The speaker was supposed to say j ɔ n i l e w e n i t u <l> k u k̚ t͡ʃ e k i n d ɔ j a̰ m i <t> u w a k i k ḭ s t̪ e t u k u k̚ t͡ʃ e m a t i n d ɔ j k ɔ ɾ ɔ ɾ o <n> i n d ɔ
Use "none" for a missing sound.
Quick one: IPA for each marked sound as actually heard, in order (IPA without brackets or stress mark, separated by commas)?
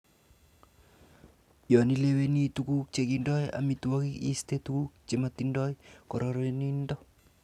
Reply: none, t, n